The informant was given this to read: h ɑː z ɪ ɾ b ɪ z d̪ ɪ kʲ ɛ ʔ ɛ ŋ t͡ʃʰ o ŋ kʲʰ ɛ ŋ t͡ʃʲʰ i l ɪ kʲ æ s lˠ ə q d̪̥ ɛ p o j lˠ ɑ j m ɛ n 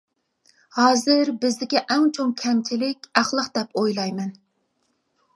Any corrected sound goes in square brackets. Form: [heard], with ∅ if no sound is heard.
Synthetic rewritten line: h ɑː z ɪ ɾ b ɪ z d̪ ɪ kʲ ɛ ʔ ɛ ŋ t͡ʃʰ o ŋ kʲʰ ɛ [m] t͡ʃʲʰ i l ɪ kʲ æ [χ] lˠ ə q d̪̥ ɛ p o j lˠ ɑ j m ɛ n